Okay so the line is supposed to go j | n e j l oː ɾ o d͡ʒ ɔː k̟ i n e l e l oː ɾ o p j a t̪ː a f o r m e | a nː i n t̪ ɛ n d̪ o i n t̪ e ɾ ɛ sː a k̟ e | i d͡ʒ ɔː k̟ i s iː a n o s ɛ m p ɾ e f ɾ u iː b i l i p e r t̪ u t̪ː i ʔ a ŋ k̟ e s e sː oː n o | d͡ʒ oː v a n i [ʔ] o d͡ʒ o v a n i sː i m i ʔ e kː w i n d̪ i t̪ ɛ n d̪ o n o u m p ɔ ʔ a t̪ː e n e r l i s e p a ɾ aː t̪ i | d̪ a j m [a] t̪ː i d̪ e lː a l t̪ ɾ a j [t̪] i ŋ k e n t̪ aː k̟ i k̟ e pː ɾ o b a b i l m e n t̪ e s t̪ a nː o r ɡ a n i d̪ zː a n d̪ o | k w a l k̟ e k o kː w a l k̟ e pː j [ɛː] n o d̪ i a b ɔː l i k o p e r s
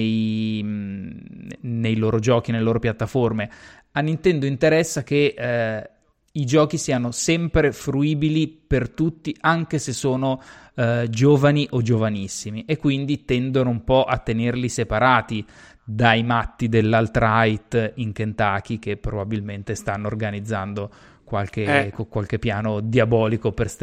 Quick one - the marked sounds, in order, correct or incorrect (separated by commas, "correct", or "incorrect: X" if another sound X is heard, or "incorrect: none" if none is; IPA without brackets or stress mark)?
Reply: correct, correct, correct, incorrect: aː